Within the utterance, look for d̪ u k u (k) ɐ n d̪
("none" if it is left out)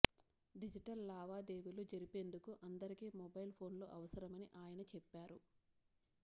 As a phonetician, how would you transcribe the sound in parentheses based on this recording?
ʔ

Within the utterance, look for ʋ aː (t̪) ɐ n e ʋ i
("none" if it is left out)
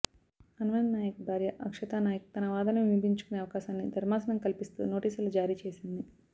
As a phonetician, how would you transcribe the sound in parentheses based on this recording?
d̪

